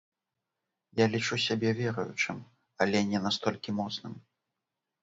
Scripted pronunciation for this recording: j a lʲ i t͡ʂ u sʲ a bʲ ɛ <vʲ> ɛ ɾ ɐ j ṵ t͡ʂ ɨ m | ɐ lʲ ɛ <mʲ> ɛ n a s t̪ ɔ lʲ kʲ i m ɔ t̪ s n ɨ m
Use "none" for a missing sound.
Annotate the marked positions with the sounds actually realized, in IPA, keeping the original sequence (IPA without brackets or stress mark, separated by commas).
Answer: vʲ, nʲ